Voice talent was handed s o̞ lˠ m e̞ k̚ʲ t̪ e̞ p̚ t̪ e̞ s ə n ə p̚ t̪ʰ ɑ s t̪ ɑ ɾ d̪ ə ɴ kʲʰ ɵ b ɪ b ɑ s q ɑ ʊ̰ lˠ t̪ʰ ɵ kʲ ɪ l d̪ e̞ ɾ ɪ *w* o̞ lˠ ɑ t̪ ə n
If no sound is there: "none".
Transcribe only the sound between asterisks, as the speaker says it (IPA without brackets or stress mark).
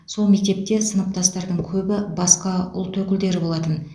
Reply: b